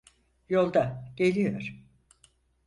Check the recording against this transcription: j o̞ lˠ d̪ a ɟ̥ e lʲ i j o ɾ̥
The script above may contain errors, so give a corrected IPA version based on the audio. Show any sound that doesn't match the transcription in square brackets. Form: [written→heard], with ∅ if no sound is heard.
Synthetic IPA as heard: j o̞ lˠ d̪ a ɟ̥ e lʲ i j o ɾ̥